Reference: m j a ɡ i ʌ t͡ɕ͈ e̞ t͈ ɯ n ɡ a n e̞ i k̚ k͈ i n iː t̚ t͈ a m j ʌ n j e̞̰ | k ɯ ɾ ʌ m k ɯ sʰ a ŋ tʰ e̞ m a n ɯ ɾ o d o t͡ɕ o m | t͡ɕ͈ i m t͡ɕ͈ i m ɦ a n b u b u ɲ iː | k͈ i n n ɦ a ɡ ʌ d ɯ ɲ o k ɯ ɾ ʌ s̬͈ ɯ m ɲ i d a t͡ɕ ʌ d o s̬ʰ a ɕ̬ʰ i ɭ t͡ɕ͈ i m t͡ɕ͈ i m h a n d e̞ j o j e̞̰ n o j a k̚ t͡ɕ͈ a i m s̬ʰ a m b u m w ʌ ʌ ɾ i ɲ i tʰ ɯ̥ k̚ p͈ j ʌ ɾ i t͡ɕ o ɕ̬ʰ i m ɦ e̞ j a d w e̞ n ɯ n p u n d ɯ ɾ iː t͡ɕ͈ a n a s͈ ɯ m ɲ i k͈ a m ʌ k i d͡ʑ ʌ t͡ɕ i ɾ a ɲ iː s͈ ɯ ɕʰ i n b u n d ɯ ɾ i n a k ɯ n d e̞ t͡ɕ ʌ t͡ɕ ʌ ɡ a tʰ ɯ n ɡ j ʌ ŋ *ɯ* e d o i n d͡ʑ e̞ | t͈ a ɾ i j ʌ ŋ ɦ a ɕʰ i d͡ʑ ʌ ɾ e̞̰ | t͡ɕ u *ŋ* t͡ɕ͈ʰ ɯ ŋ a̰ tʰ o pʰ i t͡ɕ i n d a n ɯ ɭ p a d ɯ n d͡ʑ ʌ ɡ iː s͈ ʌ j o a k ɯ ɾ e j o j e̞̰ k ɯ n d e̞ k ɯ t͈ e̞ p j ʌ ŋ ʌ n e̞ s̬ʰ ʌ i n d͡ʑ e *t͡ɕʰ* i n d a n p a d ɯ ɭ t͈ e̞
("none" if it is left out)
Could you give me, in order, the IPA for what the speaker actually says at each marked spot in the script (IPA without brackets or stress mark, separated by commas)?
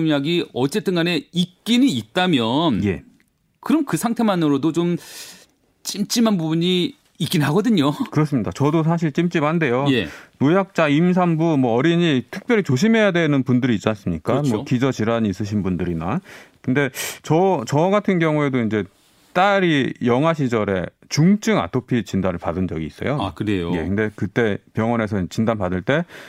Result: u, ŋ, t͡ɕ